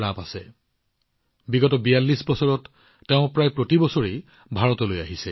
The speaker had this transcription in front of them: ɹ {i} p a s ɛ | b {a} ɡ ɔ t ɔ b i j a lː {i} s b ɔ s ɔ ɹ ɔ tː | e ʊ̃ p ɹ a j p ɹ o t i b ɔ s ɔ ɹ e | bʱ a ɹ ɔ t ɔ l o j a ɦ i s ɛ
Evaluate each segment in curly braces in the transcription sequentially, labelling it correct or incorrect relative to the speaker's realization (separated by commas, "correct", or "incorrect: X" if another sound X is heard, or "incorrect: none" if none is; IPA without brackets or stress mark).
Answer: incorrect: a, incorrect: i, correct